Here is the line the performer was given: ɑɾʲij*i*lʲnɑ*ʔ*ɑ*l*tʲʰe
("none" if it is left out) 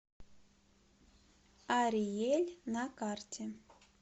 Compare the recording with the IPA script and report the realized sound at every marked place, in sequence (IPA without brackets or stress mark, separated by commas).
e, k, r